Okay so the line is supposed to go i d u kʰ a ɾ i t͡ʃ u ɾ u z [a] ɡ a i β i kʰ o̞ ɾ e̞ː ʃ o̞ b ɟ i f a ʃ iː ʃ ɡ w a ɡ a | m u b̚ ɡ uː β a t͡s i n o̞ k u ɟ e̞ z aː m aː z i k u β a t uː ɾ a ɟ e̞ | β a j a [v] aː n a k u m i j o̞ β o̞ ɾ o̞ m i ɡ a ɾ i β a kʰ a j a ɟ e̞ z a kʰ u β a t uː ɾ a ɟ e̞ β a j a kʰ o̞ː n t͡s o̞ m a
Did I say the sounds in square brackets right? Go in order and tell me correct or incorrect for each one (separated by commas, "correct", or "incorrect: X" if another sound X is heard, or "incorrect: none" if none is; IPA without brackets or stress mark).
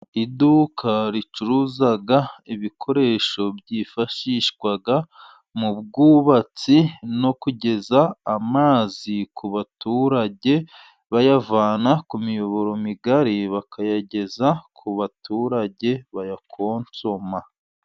correct, correct